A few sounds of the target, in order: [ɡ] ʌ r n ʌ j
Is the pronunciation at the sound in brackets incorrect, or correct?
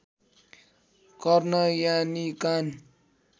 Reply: incorrect